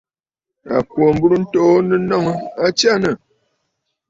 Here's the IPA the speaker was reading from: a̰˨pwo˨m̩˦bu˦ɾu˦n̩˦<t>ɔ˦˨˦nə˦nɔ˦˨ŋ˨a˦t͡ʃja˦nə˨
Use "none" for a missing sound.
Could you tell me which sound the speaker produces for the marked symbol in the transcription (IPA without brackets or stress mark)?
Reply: t